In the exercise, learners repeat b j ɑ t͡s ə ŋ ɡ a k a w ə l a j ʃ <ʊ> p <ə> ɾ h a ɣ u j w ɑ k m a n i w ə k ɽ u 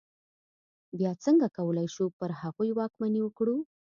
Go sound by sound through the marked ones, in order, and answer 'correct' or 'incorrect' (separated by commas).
incorrect, correct